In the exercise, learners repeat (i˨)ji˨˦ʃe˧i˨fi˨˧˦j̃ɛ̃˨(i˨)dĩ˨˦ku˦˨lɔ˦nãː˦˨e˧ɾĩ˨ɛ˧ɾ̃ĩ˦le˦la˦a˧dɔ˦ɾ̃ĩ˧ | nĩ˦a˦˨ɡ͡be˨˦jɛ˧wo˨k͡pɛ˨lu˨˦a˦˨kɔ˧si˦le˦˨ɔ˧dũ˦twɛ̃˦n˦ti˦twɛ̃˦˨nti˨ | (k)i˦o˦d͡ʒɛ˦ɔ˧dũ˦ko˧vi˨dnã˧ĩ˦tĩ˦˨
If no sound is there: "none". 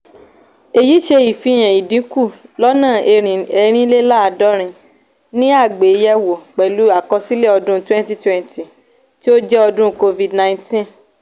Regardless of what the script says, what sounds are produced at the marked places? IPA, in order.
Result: e˨, i˨, t

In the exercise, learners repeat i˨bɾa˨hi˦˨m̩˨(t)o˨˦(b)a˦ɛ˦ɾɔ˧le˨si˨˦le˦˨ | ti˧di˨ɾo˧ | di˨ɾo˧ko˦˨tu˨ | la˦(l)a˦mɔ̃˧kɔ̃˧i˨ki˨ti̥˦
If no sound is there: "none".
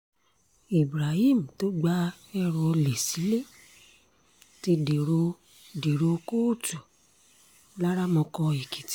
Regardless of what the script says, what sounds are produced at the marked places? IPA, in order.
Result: t, ɡ͡b, ɾ

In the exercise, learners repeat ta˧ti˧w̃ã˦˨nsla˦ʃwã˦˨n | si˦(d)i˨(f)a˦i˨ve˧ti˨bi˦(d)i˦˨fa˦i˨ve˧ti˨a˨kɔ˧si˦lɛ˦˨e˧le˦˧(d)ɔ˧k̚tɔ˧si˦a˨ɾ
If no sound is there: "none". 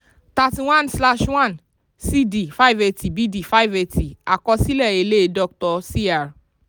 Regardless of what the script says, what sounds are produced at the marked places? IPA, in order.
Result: d, f, d, d

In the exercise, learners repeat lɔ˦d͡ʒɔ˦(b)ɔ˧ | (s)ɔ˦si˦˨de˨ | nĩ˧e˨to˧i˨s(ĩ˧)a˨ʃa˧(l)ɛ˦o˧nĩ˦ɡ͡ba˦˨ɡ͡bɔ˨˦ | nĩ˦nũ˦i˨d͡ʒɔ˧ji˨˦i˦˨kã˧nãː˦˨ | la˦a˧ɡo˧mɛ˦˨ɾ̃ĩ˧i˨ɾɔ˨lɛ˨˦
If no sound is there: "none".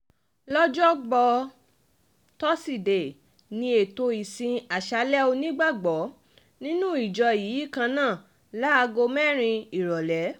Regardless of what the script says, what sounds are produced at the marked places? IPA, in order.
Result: ɡ͡b, t, ĩ˧, l

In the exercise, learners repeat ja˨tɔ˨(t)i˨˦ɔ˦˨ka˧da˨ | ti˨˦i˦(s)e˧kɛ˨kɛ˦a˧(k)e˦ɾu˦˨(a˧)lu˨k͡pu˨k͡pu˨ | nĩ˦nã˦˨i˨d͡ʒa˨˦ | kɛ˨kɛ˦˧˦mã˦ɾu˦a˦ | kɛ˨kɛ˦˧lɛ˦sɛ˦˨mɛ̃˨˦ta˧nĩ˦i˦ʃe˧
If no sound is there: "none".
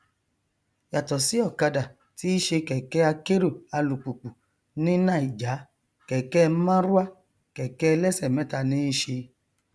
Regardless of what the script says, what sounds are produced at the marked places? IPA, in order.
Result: s, ʃ, k, a˧

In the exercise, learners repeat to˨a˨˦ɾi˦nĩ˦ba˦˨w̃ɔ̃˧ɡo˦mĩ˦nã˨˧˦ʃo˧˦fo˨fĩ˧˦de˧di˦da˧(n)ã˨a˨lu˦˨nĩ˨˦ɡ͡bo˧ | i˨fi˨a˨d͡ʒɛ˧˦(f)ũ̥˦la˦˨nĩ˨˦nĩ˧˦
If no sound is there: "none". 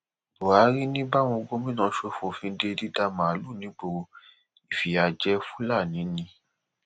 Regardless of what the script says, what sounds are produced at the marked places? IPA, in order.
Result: m, f

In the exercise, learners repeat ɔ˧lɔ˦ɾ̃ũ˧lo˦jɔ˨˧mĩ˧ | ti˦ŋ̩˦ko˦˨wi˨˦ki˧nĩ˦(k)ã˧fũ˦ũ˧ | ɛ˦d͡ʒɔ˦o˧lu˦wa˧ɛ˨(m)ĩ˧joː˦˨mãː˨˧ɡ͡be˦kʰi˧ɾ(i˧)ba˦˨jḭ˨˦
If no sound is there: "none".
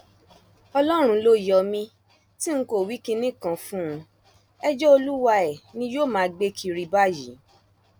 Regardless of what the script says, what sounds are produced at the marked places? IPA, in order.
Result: k, n, i˧

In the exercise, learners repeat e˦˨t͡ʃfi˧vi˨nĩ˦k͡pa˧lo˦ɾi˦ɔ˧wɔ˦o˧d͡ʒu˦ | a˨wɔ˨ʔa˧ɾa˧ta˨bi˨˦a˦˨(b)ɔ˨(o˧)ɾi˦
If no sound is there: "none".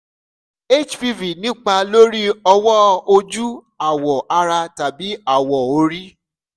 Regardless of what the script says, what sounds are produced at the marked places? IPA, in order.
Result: w, o˧

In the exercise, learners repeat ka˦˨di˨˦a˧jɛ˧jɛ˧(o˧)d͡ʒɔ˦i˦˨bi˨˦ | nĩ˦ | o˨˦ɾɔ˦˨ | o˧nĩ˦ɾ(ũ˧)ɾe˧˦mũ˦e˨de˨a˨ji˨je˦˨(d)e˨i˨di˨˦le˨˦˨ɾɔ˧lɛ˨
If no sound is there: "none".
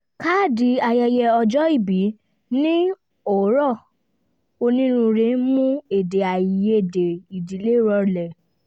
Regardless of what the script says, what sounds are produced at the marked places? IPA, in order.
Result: ɔ˧, ũ˧, d

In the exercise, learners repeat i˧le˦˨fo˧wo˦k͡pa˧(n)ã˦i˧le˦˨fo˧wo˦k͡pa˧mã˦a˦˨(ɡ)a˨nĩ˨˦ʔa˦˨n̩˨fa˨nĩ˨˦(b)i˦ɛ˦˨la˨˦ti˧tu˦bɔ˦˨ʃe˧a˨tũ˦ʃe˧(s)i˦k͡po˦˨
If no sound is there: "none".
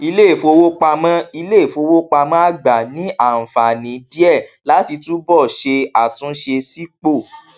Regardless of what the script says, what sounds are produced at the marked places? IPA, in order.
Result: m, ɡ͡b, d, s

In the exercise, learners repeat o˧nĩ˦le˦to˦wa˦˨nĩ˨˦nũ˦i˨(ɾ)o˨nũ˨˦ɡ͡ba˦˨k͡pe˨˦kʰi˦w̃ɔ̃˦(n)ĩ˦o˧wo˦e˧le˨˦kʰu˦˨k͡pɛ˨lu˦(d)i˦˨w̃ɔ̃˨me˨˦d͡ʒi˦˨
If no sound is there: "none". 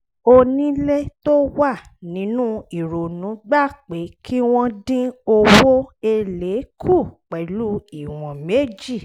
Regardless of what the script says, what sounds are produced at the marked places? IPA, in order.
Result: ɾ, d, none

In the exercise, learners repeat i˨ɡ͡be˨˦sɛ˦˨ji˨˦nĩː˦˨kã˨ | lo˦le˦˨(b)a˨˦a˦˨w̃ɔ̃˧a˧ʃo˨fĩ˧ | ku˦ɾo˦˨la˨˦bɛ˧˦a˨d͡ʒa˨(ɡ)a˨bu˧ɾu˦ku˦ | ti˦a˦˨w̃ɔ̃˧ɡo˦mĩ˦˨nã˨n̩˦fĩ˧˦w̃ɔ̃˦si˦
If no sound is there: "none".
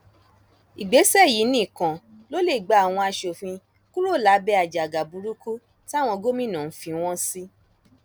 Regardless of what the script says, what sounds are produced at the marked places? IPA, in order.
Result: ɡ͡b, ɡ

